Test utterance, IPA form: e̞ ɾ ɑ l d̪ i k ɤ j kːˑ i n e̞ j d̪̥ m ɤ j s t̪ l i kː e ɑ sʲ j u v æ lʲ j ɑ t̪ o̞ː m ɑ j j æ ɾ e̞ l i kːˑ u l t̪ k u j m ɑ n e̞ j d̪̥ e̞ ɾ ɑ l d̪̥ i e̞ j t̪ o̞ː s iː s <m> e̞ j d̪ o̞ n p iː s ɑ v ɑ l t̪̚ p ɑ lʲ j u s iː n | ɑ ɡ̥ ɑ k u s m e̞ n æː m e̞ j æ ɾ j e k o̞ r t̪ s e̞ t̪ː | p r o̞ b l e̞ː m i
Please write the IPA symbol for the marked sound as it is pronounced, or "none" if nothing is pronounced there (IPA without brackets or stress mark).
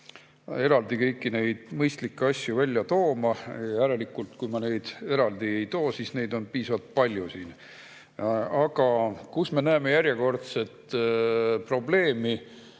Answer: n